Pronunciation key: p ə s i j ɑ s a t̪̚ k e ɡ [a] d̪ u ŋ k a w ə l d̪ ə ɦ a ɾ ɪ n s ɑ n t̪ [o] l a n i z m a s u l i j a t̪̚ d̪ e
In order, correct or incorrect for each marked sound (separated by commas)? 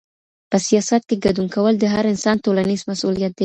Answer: correct, correct